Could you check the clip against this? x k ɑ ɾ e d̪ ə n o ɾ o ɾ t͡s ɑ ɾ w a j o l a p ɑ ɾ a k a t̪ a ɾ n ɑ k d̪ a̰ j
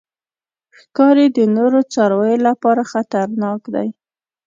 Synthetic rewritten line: x k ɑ ɾ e d̪ ə n o ɾ o t͡s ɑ ɾ w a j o l a p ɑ ɾ a x a t̪ a ɾ n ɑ k d̪ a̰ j